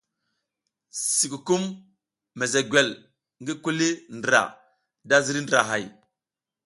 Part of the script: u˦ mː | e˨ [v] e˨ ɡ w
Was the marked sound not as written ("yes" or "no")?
yes